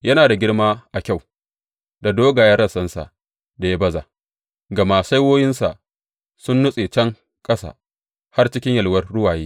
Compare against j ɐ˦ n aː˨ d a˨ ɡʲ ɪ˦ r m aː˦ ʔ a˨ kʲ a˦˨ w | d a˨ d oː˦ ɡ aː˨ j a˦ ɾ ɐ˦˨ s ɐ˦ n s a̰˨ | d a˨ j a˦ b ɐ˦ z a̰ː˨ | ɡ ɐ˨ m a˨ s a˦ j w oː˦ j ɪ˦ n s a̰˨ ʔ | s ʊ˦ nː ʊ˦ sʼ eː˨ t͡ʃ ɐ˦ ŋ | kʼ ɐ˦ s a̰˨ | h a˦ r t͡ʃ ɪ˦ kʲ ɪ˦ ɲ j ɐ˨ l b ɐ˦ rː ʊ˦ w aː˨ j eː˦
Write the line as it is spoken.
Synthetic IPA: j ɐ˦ n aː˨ d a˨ ɡʲ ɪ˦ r m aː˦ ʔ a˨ kʲ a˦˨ w | d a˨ d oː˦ ɡ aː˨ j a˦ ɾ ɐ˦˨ s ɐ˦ n s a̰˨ | d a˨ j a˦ b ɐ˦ z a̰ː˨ | ɡ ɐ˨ m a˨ s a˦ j w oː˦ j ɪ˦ n s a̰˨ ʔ | s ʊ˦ nː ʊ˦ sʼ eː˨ t͡ʃ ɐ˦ ŋ | kʼ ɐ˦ s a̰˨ | h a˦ r t͡ʃ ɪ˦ kʲ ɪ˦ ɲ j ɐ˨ l w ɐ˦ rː ʊ˦ w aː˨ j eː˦

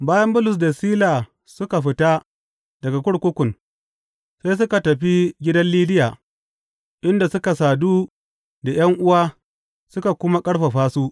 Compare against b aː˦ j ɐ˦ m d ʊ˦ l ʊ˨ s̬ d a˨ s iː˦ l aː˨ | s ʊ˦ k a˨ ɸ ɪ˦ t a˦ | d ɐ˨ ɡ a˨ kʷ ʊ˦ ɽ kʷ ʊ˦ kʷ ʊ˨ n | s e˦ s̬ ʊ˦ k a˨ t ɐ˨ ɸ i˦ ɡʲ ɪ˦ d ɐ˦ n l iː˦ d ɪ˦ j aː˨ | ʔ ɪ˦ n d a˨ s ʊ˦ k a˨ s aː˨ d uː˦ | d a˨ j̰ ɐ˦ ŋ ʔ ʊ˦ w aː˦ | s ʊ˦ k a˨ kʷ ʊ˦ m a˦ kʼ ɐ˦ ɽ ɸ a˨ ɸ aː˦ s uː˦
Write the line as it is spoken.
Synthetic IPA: b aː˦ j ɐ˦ m b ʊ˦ l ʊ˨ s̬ d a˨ s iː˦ l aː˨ | s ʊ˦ k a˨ ɸ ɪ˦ t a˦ | d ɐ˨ ɡ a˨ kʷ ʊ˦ ɽ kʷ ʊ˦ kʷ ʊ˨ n | s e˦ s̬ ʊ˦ k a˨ t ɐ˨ ɸ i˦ ɡʲ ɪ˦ d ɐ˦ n l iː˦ d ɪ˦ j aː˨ | ʔ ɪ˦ n d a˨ s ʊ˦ k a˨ s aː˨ d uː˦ | d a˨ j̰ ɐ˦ ŋ ʔ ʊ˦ w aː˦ | s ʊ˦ k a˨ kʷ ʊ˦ m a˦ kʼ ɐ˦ ɽ ɸ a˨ ɸ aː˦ s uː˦

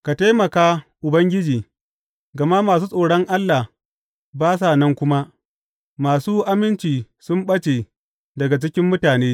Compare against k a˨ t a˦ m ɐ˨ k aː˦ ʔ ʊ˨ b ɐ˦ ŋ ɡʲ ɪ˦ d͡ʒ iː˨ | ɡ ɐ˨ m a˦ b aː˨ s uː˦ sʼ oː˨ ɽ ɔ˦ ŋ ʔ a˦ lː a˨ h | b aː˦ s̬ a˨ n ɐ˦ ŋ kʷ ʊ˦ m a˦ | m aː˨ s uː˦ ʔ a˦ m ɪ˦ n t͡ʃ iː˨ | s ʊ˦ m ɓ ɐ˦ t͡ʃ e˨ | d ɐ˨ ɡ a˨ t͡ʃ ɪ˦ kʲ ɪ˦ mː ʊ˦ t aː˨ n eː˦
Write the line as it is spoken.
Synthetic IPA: k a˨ t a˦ m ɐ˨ k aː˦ ʔ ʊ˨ b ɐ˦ ŋ ɡʲ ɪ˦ d͡ʒ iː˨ | ɡ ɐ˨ m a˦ m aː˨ s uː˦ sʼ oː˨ ɽ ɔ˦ ŋ ʔ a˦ lː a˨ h | b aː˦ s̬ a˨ n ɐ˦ ŋ kʷ ʊ˦ m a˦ | m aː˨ s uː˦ ʔ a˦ m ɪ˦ n t͡ʃ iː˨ | s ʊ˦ m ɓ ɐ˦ t͡ʃ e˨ | d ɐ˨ ɡ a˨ t͡ʃ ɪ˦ kʲ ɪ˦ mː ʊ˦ t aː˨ n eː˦

